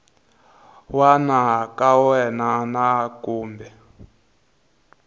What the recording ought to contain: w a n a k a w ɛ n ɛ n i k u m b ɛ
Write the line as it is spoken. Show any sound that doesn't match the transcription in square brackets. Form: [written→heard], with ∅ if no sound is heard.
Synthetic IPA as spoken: w a n a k a w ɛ n [ɛ→a] n [i→a] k [u→uː] m b ɛ